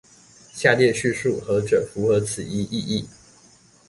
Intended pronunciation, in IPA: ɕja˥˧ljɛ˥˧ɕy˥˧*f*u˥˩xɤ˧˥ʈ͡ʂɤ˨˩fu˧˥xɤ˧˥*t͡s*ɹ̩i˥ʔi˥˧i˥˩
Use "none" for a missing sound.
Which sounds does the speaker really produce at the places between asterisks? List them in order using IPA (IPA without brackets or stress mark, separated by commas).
ʂ, t͡sʰ